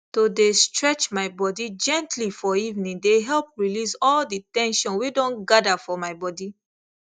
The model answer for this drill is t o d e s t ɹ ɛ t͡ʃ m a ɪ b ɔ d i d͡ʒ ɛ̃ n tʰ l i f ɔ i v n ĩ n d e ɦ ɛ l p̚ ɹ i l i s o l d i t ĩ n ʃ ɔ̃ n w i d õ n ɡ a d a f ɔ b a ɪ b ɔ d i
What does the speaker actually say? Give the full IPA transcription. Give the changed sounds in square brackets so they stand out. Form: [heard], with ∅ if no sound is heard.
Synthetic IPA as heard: t o d e s t ɹ ɛ t͡ʃ m a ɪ b ɔ d i d͡ʒ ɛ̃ n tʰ l i f ɔ i v n ĩ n d e ɦ ɛ l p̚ ɹ i l i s [ɔ] l d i t [ɛ̃] n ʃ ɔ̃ n w i d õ n ɡ a d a f ɔ [m] a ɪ b ɔ d i